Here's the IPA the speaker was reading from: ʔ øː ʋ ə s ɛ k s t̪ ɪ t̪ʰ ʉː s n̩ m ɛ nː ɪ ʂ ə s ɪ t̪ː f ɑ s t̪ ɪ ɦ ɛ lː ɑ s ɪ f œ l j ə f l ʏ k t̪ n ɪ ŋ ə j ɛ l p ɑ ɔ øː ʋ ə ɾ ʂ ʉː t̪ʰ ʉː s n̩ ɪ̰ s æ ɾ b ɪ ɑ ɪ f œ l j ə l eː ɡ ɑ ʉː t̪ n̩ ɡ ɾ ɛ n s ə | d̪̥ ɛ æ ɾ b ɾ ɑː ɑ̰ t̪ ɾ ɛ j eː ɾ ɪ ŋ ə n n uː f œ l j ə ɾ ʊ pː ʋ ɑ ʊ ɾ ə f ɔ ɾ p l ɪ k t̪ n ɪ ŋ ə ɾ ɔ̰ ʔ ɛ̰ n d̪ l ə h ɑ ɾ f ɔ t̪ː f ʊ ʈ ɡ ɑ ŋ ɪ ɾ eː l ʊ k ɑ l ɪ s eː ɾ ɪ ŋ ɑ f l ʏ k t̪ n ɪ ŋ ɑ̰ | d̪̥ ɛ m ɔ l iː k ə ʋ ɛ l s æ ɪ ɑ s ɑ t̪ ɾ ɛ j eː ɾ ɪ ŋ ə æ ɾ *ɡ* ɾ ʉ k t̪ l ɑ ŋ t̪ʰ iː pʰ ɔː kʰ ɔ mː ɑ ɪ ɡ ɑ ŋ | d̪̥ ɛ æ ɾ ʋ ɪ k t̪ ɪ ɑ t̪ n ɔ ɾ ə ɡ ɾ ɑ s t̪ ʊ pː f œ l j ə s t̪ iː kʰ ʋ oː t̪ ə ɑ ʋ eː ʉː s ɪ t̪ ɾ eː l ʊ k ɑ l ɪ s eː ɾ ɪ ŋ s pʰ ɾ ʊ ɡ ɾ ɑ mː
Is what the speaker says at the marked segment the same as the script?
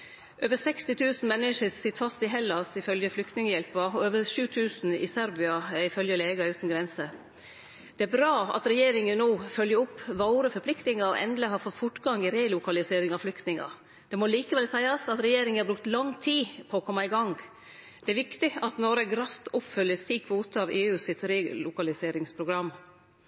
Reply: no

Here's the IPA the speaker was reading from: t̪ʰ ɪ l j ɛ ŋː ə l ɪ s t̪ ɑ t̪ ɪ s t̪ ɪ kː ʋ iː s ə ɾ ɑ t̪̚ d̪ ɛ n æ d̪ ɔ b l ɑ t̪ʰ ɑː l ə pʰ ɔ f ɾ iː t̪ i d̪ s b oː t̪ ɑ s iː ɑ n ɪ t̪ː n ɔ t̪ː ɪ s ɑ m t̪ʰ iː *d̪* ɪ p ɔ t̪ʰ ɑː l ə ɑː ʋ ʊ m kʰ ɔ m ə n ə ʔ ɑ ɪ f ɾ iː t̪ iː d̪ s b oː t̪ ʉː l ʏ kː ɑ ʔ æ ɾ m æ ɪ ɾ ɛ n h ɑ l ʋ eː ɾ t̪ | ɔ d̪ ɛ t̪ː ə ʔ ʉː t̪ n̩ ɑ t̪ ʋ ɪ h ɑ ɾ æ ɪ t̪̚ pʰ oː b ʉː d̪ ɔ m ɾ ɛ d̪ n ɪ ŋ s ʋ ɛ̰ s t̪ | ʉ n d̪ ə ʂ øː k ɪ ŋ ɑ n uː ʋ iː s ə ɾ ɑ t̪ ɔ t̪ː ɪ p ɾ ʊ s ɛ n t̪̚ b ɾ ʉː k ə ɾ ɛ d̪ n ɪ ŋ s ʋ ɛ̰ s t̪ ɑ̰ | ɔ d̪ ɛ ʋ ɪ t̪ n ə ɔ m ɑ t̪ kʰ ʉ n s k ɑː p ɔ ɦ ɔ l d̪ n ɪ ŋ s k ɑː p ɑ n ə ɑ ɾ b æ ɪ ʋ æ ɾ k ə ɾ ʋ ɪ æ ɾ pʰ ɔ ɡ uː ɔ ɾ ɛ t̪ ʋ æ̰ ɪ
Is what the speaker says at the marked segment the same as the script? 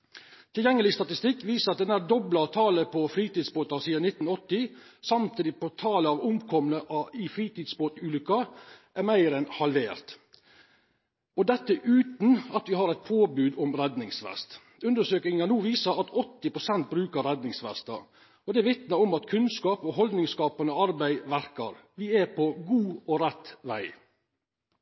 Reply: yes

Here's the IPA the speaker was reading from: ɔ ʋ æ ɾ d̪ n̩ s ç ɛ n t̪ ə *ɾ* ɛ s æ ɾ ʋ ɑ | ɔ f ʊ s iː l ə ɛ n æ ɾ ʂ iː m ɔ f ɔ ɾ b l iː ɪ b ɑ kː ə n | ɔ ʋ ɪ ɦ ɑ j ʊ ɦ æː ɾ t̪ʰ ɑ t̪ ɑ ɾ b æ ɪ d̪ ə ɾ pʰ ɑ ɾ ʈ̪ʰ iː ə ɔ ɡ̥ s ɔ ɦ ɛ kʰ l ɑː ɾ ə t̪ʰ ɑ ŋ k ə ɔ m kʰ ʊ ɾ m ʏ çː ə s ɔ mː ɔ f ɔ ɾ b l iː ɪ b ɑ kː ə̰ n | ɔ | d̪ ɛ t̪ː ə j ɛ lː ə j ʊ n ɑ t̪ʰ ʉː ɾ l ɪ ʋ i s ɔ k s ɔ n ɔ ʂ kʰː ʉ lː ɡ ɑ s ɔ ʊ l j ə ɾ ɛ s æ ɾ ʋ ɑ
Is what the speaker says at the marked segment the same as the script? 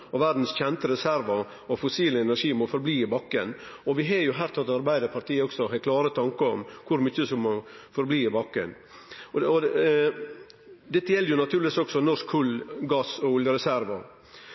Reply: yes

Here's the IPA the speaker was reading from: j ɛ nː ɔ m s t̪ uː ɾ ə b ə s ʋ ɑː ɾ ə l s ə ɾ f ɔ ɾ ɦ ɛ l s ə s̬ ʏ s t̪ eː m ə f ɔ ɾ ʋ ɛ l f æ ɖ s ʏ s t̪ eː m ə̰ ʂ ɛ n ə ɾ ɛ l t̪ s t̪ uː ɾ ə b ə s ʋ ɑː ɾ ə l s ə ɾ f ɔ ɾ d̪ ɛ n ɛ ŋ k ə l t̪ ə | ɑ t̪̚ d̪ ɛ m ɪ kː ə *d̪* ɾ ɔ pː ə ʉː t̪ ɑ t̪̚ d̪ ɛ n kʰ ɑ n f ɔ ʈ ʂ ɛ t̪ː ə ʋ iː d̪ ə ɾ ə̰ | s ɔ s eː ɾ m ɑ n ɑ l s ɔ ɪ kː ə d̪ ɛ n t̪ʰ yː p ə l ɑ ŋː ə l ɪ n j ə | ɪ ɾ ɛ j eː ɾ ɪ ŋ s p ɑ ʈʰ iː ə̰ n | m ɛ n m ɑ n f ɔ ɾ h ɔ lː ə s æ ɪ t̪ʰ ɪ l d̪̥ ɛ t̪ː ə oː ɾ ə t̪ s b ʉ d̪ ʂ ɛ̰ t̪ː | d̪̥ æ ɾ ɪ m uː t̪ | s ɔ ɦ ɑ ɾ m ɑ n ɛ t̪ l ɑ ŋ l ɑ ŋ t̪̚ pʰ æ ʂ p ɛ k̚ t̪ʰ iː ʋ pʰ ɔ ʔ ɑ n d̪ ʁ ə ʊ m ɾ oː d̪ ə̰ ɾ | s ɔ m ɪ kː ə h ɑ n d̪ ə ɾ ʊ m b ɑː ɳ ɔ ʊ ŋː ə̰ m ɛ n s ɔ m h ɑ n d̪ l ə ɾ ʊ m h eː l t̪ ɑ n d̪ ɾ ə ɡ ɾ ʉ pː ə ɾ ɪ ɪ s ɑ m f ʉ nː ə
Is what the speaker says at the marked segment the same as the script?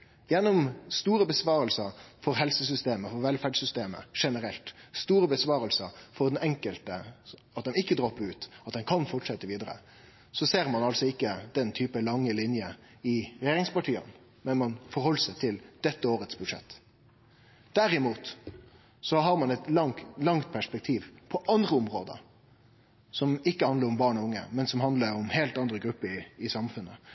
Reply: yes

